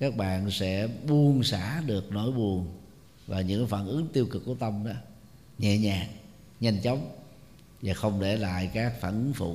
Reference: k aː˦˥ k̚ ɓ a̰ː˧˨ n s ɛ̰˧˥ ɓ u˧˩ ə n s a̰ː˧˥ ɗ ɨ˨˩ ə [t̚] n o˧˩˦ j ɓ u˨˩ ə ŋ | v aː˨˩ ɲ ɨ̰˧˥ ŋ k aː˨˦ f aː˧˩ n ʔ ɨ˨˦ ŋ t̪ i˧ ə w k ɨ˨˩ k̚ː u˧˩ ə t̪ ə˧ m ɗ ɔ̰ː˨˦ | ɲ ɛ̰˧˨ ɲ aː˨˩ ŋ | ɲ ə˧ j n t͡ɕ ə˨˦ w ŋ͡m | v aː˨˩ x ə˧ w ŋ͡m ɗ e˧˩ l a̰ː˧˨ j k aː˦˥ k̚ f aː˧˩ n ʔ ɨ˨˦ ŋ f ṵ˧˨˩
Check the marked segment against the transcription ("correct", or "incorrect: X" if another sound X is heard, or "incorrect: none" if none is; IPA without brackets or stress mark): incorrect: k̚